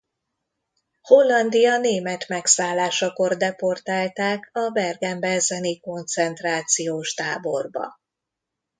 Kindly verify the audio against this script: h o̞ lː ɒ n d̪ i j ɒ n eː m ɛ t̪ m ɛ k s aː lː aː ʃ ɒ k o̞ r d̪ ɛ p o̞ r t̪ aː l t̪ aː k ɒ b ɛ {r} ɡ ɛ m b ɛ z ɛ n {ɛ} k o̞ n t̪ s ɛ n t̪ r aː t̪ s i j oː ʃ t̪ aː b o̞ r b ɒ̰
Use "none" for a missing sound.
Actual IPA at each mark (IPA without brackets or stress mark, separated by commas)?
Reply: r, i